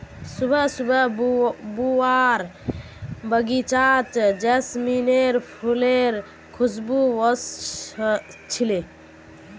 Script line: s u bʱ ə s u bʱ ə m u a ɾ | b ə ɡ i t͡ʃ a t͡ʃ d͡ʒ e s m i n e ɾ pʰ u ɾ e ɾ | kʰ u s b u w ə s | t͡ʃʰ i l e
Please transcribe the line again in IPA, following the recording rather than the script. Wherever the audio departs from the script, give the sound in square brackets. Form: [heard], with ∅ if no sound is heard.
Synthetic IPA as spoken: s u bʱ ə s u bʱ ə [b] u a ɾ | b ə ɡ i t͡ʃ a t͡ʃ d͡ʒ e s m i n e ɾ pʰ u [l] e ɾ | kʰ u s b u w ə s | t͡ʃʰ i l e